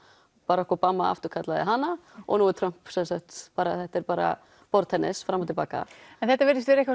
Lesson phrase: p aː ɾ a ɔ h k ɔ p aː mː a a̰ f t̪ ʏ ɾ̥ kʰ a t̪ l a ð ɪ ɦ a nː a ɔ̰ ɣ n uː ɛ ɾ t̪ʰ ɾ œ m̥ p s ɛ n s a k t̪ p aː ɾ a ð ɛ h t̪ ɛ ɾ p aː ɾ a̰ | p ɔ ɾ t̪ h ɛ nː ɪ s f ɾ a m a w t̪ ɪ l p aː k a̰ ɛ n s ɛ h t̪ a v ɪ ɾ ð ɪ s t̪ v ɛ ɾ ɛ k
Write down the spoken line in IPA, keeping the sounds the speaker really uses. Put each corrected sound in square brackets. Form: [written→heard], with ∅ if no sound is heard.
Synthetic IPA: p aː ɾ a ɔ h k ɔ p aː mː a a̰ f t̪ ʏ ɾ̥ kʰ a t̪ l a ð ɪ ɦ a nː a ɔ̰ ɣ n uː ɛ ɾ t̪ʰ ɾ œ m̥ p s ɛ n s a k t̪ p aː ɾ a [ð→θ] ɛ h t̪ ɛ ɾ p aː ɾ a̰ | p ɔ ɾ t̪ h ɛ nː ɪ s f ɾ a m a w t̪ ɪ l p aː k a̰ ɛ n [s→θ] ɛ h t̪ a v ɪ ɾ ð ɪ s t̪ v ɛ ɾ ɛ k